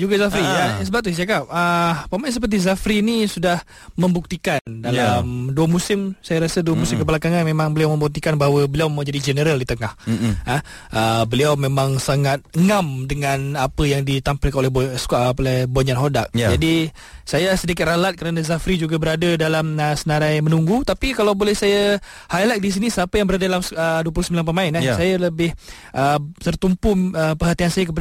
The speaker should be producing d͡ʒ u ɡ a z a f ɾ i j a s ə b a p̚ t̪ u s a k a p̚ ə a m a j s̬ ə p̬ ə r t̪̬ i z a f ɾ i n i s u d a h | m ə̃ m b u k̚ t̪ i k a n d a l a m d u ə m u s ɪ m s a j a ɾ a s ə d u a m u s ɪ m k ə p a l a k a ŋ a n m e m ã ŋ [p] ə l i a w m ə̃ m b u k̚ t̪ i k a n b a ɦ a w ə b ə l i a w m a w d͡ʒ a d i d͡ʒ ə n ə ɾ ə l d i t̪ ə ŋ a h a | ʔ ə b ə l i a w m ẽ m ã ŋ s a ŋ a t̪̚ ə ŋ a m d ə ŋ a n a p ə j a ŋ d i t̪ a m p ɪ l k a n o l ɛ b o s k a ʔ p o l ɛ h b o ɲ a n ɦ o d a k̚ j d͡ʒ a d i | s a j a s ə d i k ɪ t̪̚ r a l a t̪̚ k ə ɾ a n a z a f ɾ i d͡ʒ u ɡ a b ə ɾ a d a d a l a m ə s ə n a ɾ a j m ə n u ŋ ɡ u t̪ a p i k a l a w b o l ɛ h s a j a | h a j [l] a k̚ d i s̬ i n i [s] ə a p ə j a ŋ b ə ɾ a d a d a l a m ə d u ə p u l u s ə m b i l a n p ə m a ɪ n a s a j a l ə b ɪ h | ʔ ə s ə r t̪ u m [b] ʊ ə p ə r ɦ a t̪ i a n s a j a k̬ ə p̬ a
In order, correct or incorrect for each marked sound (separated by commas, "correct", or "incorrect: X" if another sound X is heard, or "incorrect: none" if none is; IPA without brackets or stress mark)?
incorrect: b, correct, correct, incorrect: p